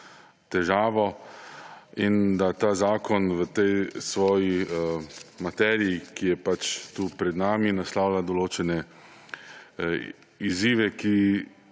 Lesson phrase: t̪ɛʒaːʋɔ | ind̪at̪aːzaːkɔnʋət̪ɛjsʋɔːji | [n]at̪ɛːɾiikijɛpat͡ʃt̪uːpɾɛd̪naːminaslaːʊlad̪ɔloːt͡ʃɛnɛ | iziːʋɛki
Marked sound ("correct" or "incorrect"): incorrect